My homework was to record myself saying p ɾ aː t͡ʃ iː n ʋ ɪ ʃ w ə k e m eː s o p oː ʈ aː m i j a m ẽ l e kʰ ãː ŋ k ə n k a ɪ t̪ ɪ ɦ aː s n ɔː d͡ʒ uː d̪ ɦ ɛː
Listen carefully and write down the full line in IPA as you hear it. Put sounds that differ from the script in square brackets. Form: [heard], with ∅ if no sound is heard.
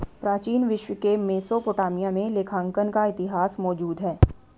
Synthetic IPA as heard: p ɾ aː t͡ʃ iː n ʋ ɪ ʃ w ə k e m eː s o p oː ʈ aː m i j a m ẽ l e kʰ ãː ŋ k ə n k a ɪ t̪ ɪ ɦ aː s [m] ɔː d͡ʒ uː d̪ ɦ ɛː